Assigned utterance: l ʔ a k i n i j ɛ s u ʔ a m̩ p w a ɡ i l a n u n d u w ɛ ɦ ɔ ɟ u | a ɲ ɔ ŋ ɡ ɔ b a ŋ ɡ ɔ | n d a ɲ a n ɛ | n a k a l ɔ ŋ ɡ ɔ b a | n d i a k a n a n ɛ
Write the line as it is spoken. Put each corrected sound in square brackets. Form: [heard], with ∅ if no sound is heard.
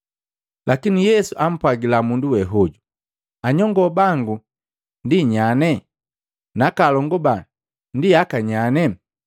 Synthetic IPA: l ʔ a k i n i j ɛ s u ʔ a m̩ p w a ɡ i l a [m] u n d u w ɛ ɦ ɔ ɟ u | a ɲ ɔ ŋ ɡ ɔ b a ŋ ɡ [u] | n d [i] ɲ a n ɛ | n a k a l ɔ ŋ ɡ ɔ b a | n d i a k a [ɲ] a n ɛ